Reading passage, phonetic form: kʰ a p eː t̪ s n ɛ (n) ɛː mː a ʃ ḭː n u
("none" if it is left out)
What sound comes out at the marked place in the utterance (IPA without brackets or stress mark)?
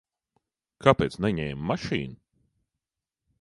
ɲ